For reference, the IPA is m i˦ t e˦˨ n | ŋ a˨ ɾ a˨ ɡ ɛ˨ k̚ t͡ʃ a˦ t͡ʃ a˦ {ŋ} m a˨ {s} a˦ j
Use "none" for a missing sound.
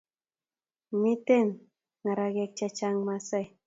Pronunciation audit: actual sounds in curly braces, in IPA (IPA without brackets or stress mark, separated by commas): ŋ, s